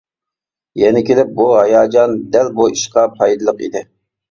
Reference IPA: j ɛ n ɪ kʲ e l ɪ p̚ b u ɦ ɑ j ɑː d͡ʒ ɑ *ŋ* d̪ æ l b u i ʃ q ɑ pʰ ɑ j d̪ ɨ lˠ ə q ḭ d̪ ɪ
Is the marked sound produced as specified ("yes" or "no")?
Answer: no